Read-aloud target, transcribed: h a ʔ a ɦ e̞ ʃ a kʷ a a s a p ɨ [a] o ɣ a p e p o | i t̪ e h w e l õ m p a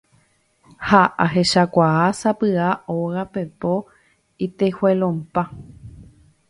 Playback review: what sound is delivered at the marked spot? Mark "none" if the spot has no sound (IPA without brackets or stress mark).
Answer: a